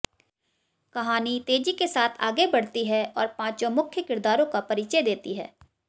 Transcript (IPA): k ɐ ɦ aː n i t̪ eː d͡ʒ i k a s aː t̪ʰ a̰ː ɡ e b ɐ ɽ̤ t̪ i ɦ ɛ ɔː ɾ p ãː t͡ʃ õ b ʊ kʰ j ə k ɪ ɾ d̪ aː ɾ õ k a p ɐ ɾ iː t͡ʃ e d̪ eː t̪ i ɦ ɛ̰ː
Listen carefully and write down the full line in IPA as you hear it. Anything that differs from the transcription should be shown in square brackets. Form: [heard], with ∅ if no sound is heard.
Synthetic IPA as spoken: k ɐ ɦ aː n i t̪ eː d͡ʒ i k [e] s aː t̪ʰ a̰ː ɡ e b ɐ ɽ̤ t̪ i ɦ ɛ ɔː ɾ p ãː t͡ʃ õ [m] ʊ kʰ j ə k ɪ ɾ d̪ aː ɾ õ k a p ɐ ɾ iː t͡ʃ e d̪ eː t̪ i ɦ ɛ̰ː